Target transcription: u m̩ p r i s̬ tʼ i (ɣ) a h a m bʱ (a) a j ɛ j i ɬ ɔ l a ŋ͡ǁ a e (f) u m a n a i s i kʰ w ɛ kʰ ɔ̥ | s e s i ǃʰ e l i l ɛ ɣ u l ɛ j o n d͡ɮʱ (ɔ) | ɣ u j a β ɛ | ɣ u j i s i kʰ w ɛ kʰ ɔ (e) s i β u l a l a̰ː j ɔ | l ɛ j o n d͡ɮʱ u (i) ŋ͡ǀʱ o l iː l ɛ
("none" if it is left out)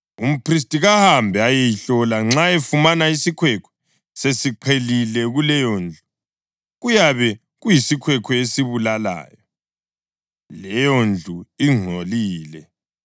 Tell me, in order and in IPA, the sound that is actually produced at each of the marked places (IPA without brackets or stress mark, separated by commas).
ɣ, ɛ, f, u, e, i